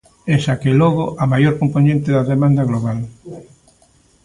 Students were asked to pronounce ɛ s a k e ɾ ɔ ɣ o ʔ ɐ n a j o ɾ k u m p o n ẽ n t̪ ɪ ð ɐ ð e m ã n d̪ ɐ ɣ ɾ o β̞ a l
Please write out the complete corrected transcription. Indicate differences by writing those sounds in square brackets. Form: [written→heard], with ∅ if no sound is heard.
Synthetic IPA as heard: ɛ s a k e [ɾ→l] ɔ ɣ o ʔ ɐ [n→m] a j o ɾ k [u→o] m p o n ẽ n t̪ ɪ ð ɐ ð e m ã n d̪ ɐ ɣ [ɾ→l] o β̞ a l